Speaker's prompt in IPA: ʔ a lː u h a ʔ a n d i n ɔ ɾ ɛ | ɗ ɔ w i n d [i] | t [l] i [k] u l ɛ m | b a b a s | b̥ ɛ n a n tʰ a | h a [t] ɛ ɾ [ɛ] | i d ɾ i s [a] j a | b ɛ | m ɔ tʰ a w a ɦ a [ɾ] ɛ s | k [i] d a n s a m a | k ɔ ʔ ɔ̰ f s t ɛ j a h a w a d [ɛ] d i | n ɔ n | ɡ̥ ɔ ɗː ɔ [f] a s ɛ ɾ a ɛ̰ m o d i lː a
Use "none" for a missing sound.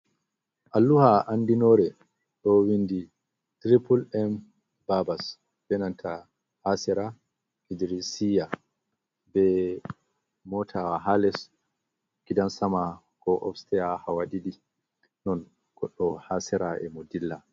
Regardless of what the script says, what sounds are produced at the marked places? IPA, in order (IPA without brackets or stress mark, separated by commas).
i, ɾ, p, s, a, i, l, i, i, h